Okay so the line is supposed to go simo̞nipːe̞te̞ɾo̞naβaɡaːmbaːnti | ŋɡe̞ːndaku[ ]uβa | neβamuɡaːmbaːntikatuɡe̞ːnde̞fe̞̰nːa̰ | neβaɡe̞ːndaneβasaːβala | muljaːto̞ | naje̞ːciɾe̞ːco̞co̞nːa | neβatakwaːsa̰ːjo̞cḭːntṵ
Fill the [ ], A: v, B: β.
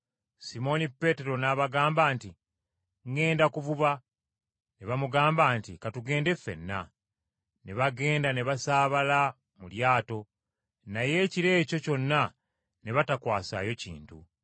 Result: A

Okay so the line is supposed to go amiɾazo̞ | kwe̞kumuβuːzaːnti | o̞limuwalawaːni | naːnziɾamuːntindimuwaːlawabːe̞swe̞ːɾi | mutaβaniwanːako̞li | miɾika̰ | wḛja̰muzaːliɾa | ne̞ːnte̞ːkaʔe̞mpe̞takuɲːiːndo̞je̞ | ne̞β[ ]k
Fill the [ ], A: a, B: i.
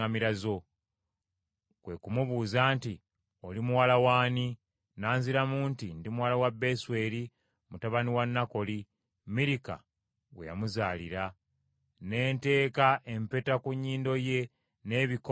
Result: B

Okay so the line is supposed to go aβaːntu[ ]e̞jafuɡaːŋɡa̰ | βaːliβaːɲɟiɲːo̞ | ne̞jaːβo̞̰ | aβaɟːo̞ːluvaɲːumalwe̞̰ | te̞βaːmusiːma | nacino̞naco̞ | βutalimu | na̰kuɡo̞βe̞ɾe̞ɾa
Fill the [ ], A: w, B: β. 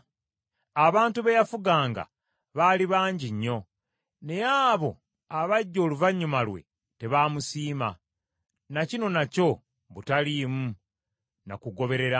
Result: B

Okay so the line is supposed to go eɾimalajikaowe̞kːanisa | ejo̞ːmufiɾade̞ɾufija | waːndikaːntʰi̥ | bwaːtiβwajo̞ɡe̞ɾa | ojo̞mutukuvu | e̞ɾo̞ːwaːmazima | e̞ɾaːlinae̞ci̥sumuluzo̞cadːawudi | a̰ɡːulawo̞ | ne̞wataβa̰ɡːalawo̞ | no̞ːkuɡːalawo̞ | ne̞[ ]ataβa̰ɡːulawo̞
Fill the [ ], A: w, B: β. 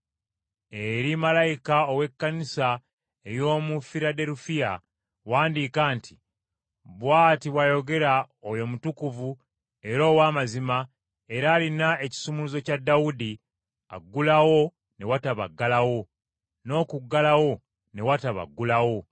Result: A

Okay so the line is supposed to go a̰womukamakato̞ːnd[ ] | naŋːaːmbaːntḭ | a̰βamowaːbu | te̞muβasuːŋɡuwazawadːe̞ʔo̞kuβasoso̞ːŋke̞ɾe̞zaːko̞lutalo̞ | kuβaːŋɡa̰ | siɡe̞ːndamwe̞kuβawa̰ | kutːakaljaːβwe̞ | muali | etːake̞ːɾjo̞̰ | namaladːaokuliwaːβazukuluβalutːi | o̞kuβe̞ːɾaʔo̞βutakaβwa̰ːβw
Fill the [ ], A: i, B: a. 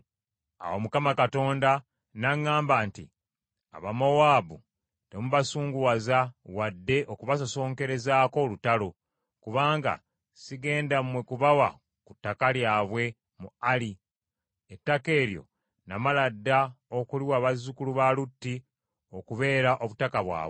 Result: B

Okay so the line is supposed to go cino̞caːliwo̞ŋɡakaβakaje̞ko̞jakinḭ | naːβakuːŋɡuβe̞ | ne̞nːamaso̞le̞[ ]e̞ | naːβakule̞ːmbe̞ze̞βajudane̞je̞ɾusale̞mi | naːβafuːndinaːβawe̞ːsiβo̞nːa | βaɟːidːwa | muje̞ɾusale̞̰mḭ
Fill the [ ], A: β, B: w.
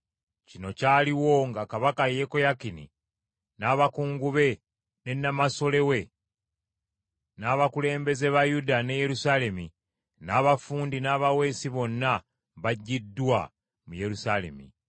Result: B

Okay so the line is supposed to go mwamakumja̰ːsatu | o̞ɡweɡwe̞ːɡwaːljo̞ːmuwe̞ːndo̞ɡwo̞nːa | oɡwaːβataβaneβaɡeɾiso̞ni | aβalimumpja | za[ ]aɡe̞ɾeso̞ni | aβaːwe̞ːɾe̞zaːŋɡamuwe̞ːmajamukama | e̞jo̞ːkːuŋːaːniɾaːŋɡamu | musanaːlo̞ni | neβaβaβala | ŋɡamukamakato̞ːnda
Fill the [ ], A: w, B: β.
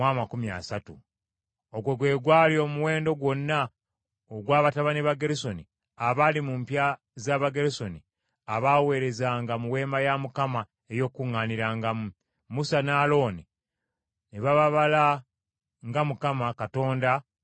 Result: B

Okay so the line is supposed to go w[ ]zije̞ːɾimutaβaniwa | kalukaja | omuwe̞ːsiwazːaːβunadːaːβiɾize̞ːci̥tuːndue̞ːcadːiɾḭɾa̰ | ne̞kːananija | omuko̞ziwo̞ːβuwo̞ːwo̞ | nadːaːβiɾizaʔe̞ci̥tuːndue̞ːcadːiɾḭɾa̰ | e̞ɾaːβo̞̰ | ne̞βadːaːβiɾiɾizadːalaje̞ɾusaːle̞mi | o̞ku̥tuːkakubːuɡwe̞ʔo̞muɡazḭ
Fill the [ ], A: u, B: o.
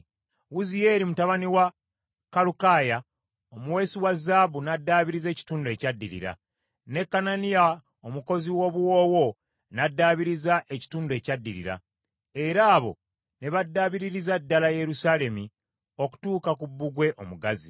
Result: A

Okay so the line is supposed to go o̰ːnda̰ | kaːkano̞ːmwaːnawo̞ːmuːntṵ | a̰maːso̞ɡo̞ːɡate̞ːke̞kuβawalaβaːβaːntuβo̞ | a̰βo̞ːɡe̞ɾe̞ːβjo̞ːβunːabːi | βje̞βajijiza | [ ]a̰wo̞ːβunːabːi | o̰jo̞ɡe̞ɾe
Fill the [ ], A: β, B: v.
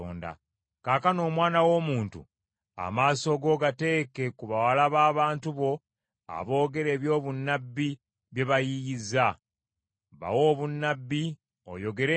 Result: A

